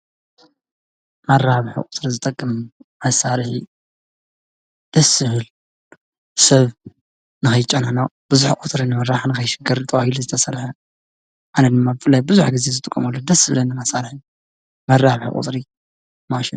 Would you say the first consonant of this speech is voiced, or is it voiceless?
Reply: voiced